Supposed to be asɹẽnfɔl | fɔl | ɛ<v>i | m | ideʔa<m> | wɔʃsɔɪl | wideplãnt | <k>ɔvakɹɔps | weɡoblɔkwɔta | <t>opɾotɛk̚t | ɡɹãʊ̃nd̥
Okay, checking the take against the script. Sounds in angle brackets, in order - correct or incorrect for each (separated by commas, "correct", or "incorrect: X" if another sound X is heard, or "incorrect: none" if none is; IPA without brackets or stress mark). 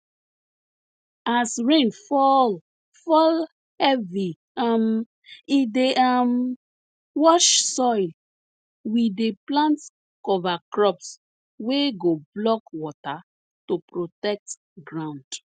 correct, correct, correct, correct